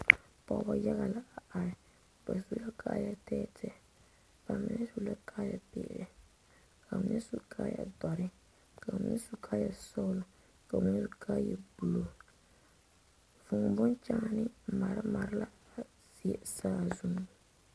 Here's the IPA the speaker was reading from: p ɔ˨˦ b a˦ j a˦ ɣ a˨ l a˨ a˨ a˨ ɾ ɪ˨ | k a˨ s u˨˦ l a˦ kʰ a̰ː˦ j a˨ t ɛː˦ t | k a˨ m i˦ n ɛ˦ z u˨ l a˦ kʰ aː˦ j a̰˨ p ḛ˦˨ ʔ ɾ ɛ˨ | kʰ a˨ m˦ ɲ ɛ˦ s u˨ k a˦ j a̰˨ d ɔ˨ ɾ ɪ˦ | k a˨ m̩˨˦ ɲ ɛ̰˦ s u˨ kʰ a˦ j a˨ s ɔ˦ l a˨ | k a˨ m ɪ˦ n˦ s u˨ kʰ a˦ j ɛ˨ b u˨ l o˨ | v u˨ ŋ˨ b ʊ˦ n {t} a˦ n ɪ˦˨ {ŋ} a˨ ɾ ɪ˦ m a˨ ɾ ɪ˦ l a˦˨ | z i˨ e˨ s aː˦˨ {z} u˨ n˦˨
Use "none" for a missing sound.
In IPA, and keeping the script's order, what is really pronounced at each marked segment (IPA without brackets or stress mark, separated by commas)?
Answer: t͡ʃ, m, z